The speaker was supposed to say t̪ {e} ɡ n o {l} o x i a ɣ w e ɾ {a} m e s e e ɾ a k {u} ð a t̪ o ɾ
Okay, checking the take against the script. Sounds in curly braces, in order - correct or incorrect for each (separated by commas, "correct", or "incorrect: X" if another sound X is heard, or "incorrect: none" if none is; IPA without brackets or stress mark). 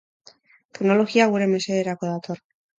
correct, correct, incorrect: e, incorrect: o